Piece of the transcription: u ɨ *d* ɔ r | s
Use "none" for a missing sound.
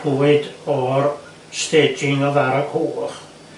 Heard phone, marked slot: d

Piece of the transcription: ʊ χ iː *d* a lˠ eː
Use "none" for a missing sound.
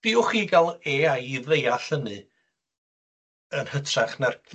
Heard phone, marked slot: ɡ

